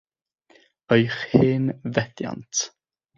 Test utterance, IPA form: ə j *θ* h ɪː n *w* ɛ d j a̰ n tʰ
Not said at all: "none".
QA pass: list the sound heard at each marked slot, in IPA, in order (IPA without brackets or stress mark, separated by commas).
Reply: χ, v